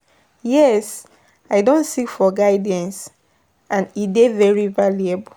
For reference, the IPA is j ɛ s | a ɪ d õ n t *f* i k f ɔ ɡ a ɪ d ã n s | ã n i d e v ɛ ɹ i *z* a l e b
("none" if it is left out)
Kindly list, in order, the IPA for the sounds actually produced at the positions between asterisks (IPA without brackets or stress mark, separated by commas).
s, v